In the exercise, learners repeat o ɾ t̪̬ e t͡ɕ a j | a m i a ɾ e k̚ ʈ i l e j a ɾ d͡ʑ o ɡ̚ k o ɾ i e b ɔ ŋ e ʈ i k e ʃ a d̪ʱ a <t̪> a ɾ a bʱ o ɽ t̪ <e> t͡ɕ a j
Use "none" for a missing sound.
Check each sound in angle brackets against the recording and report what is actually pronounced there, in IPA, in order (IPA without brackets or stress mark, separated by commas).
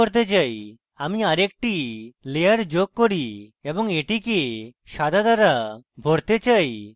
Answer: d̪, e